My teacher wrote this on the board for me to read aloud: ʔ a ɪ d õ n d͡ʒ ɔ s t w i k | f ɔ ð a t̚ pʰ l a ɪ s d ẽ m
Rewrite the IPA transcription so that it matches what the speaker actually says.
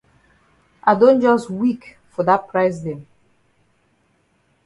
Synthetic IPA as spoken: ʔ a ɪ d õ n d͡ʒ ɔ s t w i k | f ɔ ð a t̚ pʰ ɹ a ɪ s d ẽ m